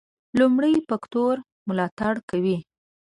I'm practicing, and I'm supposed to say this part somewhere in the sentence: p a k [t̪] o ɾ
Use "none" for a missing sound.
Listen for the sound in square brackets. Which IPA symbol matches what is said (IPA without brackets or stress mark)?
t̪